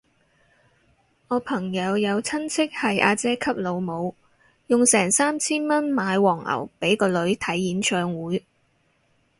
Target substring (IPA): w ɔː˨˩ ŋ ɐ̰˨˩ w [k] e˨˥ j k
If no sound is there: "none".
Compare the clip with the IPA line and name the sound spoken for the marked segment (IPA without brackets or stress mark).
p